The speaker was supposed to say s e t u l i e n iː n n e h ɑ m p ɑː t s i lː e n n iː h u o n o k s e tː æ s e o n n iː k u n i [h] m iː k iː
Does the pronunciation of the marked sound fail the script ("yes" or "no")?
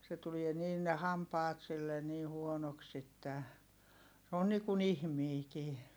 no